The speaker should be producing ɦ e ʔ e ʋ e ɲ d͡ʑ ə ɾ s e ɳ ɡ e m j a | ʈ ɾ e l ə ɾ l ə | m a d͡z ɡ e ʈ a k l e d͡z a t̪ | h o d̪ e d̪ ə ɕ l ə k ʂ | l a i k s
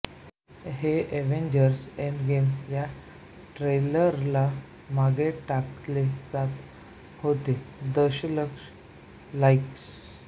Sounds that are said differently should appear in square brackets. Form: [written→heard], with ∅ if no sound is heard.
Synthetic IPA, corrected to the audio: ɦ e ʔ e ʋ e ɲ d͡ʑ ə ɾ s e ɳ ɡ e m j a | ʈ ɾ e l ə ɾ l [ə→a] | m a [d͡z→∅] ɡ e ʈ a k l e d͡z a t̪ | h o [d̪→t̪] e d̪ ə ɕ l ə k ʂ | l a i k s

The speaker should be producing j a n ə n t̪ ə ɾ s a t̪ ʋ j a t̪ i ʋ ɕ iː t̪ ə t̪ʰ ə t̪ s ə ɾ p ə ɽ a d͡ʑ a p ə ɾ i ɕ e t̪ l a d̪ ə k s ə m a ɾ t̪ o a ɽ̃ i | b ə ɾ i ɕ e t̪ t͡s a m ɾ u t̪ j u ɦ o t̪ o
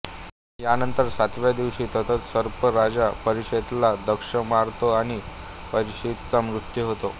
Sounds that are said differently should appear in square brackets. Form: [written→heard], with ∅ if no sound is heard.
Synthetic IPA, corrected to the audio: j a n ə n t̪ ə ɾ s a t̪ ʋ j a [t̪→d̪] i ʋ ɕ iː t̪ ə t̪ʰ ə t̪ s ə ɾ p ə [ɽ→ɾ] a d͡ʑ a p ə ɾ i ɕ e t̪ l a d̪ ə k [s→ʂ] ə m a ɾ t̪ o a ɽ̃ i | [b→p] ə ɾ i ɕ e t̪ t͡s a m ɾ u t̪ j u ɦ o t̪ o

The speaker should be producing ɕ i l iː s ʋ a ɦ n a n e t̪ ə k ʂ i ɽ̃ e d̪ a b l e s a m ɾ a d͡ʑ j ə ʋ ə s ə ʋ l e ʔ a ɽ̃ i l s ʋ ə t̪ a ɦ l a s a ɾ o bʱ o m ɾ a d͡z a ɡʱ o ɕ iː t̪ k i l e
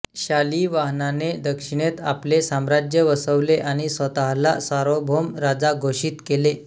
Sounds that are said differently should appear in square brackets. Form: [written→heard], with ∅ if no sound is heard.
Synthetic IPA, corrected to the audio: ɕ [i→a] l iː [s→∅] ʋ a ɦ n a n e [t̪→d̪] ə k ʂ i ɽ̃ e [d̪→t̪] a [b→p] l e s a m ɾ a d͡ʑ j ə ʋ ə s ə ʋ l e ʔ a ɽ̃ i [l→∅] s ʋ ə t̪ a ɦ l a s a ɾ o bʱ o m ɾ a d͡z a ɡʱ o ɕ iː t̪ k [i→e] l e

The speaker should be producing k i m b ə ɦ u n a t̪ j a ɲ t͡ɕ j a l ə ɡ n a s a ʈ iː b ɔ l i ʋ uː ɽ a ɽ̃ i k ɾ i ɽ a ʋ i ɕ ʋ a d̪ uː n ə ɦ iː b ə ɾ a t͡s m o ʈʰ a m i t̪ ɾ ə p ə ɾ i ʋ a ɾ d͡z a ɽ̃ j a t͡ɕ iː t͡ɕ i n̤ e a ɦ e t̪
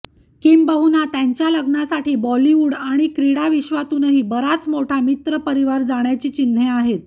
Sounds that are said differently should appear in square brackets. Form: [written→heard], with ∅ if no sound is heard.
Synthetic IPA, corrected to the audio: k i m b ə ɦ u n a t̪ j a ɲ t͡ɕ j a l ə ɡ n a s a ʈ iː b ɔ l i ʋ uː ɽ a ɽ̃ i k ɾ i ɽ a ʋ i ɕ ʋ a [d̪→t̪] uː n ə ɦ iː b ə ɾ a t͡s m o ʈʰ a m i t̪ ɾ ə p ə ɾ i ʋ a ɾ d͡z a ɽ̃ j a t͡ɕ iː t͡ɕ i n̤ e a ɦ e t̪

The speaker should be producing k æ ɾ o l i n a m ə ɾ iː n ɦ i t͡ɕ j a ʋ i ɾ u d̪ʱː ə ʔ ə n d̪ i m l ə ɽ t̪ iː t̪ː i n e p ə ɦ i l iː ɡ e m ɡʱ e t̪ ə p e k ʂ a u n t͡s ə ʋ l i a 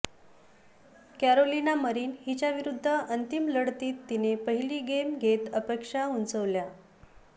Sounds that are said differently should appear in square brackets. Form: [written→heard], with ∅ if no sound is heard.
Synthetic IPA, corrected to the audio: k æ ɾ o l i n a m ə ɾ iː n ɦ i t͡ɕ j a ʋ i ɾ u d̪ʱː ə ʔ ə n [d̪→t̪] i m l ə ɽ t̪ iː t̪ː i n e p ə ɦ i l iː ɡ e m ɡʱ e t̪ ə p e k ʂ a u n t͡s ə ʋ l [i→j] a

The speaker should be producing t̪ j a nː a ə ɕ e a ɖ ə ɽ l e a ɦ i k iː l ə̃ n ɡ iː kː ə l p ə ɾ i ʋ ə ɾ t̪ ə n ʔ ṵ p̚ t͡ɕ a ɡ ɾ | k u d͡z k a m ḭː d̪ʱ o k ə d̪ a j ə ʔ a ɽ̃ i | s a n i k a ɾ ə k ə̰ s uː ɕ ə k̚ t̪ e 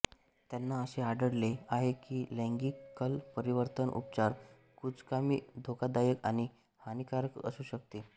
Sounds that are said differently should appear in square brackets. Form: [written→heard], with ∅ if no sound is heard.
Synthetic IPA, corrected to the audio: t̪ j a nː a ə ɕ e a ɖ ə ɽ l e a ɦ [i→e] k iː l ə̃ [n→ŋ] ɡ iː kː ə l p ə ɾ i ʋ ə ɾ t̪ ə n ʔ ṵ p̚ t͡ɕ a [ɡ→∅] ɾ | k u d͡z k a m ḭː d̪ʱ o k [ə→a] d̪ a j ə [ʔ→k] a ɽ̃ i | [s→h] a n i k a ɾ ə k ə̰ s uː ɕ ə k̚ t̪ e

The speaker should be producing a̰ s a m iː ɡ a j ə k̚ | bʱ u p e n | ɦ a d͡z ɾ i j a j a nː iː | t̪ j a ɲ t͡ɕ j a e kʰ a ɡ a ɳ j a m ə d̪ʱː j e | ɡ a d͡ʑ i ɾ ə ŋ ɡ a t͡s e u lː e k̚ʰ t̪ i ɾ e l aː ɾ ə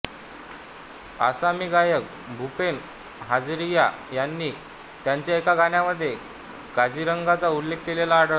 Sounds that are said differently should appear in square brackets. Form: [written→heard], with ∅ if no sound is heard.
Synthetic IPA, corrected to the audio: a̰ s a m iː ɡ a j ə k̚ | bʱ u p e n | ɦ a d͡z ɾ i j a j a nː iː | t̪ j a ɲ t͡ɕ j a e [kʰ→k] a ɡ a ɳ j a m ə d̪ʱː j e | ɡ a d͡ʑ i ɾ ə ŋ ɡ a t͡s [e→a] u lː e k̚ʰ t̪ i [ɾ→l] e l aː [ɾ→ɽ] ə

